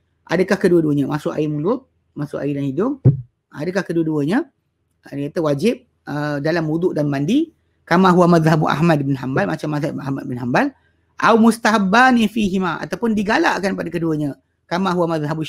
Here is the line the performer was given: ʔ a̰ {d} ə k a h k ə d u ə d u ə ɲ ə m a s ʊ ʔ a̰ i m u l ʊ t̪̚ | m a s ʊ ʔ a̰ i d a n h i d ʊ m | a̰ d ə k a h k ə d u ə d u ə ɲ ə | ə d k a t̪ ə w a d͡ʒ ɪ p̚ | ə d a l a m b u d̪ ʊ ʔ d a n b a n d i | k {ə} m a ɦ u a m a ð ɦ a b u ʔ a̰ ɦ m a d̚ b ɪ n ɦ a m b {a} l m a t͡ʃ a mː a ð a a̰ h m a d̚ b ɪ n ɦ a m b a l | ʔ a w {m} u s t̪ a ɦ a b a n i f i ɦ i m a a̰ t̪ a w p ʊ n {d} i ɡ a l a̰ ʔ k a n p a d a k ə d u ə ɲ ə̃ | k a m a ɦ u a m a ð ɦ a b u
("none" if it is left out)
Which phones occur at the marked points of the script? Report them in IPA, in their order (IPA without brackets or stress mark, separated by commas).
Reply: d, a, a, m, d